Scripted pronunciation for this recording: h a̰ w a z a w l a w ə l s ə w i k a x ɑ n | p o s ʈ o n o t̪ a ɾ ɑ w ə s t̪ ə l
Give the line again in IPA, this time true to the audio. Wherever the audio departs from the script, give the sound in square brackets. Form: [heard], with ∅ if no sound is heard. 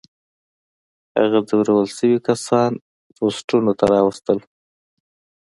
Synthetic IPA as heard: h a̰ [ɣ] a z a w [ɾ] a w ə l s ə w i k a [s] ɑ n | p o s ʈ [u] n o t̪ a ɾ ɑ w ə s t̪ ə l